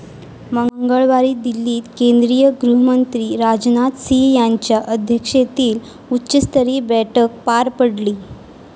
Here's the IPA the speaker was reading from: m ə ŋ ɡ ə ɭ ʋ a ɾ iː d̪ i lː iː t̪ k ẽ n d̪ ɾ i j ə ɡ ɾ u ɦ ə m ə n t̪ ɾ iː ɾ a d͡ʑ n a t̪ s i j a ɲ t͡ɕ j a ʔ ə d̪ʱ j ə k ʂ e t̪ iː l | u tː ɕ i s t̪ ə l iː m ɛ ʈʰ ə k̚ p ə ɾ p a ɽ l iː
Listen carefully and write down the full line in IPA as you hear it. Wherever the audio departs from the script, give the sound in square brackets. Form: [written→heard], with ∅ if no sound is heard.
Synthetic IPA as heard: m ə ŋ ɡ ə ɭ ʋ a ɾ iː d̪ i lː iː t̪ k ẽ n d̪ ɾ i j ə ɡ ɾ u ɦ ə m ə n t̪ ɾ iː ɾ a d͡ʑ n a t̪ s i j a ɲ t͡ɕ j a ʔ ə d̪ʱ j ə k ʂ e t̪ iː l | u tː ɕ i s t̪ ə [l→ɾ] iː [m→b] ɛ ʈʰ ə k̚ p [ə→a] ɾ p [a→ə] ɽ l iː